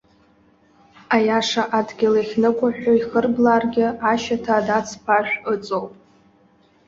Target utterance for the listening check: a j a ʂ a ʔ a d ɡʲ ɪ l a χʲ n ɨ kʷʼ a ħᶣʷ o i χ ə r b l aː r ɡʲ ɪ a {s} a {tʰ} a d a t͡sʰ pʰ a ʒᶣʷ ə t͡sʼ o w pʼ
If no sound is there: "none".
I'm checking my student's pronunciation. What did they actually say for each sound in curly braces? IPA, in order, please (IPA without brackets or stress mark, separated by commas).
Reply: ʃ, tʰ